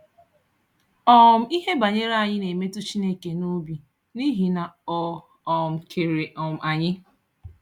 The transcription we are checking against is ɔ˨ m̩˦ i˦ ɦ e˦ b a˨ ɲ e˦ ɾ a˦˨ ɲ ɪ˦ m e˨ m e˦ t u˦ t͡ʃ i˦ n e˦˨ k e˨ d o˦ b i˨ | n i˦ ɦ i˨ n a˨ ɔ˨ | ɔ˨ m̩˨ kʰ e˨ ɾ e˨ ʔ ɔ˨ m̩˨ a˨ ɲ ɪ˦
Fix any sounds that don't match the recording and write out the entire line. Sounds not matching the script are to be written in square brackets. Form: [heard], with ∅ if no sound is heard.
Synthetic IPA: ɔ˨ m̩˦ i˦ ɦ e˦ b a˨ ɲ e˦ ɾ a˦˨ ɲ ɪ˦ [n] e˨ m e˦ t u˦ t͡ʃ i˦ n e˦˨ k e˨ [n] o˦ b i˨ | n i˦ ɦ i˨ n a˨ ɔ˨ | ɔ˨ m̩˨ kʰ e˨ ɾ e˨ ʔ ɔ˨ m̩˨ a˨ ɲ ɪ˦